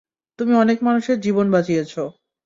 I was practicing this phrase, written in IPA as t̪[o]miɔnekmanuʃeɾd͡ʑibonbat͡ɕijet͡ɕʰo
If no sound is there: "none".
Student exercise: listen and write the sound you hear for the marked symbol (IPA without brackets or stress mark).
u